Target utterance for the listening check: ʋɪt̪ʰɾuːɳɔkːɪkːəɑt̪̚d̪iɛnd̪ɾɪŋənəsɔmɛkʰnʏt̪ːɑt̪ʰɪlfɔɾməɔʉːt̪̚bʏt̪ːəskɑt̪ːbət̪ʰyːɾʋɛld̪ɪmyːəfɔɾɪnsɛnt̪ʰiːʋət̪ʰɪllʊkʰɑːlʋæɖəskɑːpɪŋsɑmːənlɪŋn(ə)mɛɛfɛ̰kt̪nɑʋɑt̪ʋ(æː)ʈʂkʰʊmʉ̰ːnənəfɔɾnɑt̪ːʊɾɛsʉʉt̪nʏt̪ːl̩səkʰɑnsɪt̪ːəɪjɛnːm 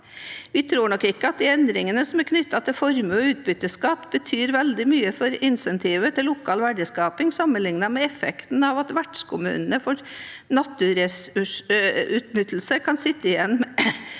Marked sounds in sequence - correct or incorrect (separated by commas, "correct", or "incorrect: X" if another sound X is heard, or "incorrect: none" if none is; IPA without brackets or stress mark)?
incorrect: ɑ, incorrect: æ